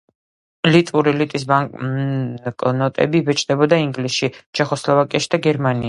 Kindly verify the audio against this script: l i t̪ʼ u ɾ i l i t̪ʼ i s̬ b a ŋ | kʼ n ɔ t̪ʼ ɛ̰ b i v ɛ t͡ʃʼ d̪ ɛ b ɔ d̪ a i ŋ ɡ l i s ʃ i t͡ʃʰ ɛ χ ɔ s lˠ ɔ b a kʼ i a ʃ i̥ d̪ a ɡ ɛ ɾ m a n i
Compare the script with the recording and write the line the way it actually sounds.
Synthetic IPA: l i t̪ʼ u ɾ i l i t̪ʼ i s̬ b a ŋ | kʼ n ɔ t̪ʼ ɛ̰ b i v ɛ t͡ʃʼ d̪ ɛ b ɔ d̪ a i ŋ ɡ l i s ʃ i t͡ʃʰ ɛ χ ɔ s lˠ ɔ v a kʼ i a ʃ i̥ d̪ a ɡ ɛ ɾ m a n i